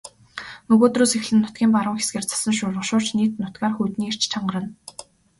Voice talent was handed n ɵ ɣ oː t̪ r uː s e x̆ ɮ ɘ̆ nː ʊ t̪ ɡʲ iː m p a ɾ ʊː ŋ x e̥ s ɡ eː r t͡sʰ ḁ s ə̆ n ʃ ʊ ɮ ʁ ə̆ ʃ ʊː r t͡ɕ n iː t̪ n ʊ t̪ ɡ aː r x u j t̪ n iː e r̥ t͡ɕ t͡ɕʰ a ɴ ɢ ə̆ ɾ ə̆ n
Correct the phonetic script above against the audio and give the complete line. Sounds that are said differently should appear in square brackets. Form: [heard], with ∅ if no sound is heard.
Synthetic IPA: n ɵ ɣ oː t̪ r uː s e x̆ ɮ ɘ̆ nː ʊ t̪ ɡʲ iː m p a ɾ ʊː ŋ x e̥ s ɡ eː r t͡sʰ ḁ s ə̆ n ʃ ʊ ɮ ʁ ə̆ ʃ ʊː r t͡ɕ n iː t̪ n ʊ t̪ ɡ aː r x u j t̪ n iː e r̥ t͡ɕ t͡ɕʰ a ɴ ɢ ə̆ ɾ ə̆ n